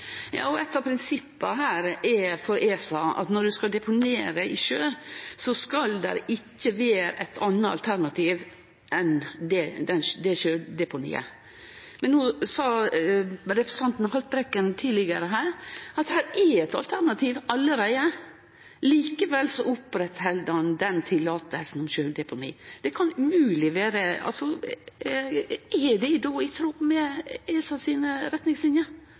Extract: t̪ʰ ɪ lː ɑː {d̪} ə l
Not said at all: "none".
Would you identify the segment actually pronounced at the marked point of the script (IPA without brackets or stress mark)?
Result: t̪